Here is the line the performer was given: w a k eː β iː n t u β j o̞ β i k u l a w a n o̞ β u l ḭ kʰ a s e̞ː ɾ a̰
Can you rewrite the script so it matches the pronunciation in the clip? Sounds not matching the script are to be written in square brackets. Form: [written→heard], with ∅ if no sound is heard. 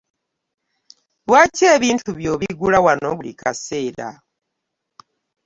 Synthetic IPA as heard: w a [k→c] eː β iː n t u β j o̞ β i [k→ɡ] u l a w a n o̞ β u l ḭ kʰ a s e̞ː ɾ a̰